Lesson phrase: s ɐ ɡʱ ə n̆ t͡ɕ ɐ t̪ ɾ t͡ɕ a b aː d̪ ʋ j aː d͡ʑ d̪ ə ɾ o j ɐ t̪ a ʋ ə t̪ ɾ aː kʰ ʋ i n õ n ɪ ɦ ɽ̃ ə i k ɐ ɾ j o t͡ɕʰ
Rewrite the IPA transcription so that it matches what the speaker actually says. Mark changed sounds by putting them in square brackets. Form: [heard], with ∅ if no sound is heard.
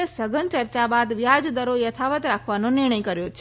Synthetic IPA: s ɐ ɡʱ ə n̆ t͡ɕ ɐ [∅] ɾ t͡ɕ a b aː d̪ ʋ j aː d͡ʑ d̪ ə ɾ o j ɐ [t̪ʰ] a ʋ ə t̪ ɾ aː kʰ ʋ [a] n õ n ɪ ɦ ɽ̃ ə i k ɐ ɾ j o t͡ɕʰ